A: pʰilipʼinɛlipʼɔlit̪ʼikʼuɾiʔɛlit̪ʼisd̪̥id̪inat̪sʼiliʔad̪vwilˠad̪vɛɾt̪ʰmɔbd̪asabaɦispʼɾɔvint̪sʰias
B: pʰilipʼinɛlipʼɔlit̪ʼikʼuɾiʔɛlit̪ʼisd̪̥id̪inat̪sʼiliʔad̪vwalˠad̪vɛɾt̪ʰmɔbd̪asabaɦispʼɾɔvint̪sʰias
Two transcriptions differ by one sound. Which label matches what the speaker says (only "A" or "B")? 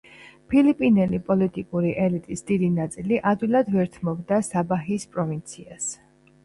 A